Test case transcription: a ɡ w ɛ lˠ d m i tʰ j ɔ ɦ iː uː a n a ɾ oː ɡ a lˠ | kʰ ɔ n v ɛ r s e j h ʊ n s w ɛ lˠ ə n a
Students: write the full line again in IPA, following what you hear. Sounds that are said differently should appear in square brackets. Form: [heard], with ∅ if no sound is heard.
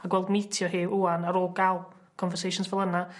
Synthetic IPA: a ɡ w ɛ lˠ d m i tʰ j ɔ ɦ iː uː a n a ɾ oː ɡ a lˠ | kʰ ɔ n v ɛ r s e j [ʃ] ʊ n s [v] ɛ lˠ ə n a